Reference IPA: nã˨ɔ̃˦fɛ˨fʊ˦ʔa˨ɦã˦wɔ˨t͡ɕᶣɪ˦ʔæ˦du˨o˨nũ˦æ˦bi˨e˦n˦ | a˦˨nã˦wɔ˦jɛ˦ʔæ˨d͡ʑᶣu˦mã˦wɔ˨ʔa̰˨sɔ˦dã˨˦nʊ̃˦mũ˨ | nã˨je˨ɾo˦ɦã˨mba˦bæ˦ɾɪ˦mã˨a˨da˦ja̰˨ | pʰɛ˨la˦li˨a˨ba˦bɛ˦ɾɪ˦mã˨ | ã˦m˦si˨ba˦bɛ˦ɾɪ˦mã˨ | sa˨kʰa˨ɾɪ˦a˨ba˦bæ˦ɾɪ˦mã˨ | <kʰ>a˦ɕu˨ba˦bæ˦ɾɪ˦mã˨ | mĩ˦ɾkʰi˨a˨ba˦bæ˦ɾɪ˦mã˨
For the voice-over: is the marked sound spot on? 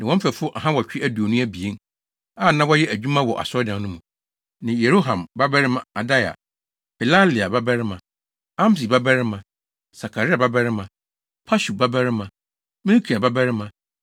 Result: no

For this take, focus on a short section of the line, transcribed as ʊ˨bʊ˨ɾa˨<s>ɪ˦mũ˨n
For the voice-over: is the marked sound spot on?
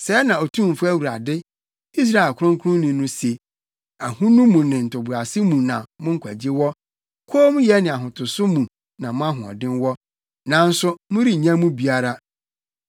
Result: yes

